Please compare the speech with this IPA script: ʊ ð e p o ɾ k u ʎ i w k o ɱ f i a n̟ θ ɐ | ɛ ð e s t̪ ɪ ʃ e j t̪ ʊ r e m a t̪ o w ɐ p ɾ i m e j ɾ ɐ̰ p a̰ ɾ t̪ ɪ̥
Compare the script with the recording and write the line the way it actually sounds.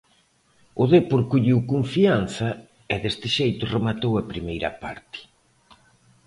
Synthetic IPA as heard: ʊ ð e p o ɾ k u ʎ i w k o ɱ f i a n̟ θ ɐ | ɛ ð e s t̪ ɪ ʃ e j t̪ ʊ r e m a t̪ o w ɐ p ɾ i m e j ɾ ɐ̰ p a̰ ɾ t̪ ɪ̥